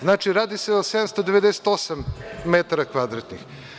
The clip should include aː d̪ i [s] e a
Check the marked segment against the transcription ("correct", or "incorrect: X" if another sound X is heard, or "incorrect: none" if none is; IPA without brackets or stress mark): correct